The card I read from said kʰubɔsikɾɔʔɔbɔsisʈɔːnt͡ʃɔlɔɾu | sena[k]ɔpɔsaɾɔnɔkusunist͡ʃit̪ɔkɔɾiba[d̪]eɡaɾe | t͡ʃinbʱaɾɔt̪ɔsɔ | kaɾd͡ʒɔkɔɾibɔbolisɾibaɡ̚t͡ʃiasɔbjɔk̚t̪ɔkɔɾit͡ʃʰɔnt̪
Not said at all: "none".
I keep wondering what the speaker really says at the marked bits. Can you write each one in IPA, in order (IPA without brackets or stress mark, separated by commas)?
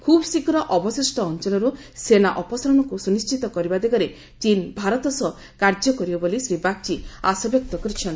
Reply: ʔ, d̪